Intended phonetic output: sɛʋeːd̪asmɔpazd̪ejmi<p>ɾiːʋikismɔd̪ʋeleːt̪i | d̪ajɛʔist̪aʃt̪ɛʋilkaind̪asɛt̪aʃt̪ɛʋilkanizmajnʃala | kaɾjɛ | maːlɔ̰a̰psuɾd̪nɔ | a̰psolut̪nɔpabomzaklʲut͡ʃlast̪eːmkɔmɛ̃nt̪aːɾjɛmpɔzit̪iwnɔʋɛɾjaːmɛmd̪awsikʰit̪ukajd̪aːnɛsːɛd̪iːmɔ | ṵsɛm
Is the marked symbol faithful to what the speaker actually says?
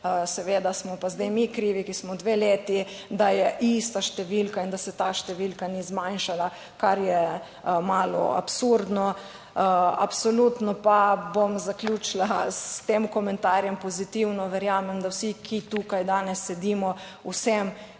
no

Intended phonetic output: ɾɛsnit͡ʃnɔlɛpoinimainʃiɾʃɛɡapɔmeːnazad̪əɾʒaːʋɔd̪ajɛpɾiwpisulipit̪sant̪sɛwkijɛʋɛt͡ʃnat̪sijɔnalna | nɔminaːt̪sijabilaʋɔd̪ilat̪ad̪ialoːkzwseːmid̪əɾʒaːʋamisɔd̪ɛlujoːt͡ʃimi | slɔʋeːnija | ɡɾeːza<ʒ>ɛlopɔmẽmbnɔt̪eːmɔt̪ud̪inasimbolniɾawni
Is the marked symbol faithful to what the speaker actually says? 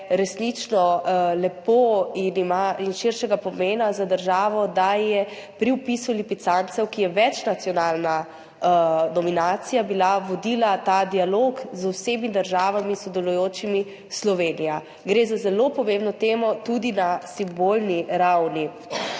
no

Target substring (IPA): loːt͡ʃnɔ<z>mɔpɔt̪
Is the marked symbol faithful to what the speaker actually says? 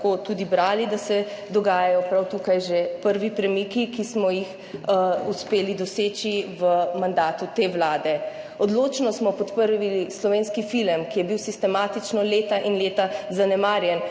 no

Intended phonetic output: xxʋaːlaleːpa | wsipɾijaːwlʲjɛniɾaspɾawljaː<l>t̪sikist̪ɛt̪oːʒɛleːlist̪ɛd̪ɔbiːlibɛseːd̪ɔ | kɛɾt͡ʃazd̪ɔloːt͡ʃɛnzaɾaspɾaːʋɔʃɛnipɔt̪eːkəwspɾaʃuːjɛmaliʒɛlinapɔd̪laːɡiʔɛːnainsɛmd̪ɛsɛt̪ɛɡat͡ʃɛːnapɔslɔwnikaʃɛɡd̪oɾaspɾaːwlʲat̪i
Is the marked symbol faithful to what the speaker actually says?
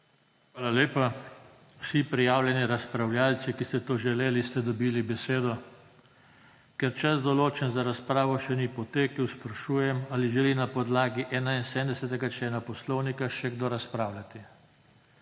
yes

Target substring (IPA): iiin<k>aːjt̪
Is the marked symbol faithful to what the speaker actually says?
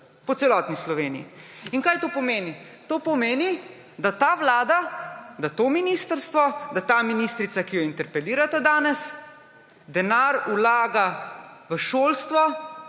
yes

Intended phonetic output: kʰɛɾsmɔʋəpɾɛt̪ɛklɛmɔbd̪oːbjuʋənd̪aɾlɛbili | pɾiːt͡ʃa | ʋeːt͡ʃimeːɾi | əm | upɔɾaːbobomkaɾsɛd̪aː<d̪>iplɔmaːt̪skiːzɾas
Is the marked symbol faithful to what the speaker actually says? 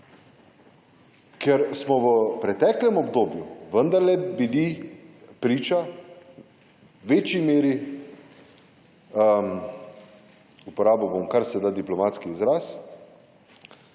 yes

